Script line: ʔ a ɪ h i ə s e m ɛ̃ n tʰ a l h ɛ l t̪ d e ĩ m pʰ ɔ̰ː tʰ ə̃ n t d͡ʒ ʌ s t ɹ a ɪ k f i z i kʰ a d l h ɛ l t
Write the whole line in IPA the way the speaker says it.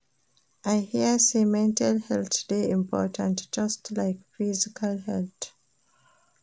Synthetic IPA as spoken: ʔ a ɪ h i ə s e m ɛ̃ n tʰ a l h ɛ l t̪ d e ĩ m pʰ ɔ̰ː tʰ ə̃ n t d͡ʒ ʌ s t l a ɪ k f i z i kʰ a l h ɛ l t